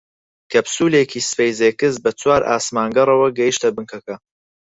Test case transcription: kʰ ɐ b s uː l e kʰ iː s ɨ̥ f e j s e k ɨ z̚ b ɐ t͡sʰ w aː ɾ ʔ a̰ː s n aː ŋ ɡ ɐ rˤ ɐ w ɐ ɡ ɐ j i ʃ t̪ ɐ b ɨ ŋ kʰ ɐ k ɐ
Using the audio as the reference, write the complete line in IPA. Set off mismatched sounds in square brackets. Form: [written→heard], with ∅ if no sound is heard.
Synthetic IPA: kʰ ɐ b s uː l e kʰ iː s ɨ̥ f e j [s→z] e k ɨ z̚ b ɐ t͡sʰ w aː ɾ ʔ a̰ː s [n→m] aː ŋ ɡ ɐ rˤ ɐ w ɐ ɡ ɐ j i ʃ t̪ ɐ b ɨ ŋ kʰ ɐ k ɐ